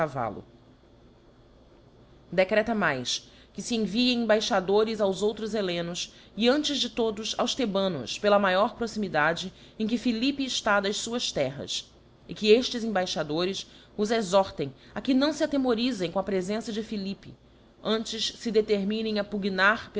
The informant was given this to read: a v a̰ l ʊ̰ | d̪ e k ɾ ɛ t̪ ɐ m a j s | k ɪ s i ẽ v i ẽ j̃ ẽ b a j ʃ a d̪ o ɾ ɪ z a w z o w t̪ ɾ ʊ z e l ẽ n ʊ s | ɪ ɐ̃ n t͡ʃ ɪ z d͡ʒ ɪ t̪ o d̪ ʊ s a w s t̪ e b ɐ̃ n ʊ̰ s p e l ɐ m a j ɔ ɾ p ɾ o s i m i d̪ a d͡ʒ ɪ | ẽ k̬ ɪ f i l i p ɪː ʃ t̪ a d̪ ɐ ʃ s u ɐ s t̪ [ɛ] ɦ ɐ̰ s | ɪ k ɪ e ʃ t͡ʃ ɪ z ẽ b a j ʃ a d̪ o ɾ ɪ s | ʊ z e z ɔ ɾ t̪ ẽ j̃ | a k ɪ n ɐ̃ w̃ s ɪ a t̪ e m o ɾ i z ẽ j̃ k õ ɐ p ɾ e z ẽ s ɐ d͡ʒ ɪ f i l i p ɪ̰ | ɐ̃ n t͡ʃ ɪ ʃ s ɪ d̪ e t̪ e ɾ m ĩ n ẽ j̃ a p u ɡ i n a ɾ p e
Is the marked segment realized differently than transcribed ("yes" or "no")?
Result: no